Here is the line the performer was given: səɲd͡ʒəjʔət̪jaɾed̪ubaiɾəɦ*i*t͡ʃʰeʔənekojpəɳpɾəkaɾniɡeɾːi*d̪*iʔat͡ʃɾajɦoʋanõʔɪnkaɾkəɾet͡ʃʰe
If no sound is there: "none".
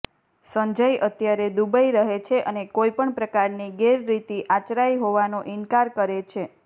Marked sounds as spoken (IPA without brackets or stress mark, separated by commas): e, t̪